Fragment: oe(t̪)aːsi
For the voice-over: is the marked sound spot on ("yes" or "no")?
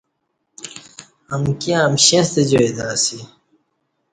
no